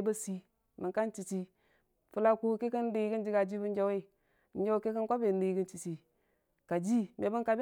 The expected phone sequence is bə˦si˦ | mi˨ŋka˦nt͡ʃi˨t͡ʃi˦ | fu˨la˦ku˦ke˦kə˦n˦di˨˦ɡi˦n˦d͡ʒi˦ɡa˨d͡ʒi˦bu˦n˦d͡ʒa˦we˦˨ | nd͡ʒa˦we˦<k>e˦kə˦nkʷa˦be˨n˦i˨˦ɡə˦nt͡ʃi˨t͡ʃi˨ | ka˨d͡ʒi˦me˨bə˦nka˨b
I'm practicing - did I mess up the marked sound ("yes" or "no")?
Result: no